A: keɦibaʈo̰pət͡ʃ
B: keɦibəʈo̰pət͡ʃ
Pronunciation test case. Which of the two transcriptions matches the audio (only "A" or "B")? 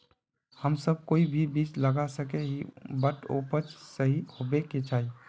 B